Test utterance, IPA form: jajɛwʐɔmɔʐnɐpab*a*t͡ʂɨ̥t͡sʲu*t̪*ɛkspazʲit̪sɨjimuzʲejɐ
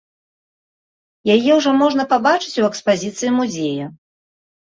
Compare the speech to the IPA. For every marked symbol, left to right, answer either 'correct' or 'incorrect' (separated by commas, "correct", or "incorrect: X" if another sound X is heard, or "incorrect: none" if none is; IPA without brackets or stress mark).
correct, incorrect: none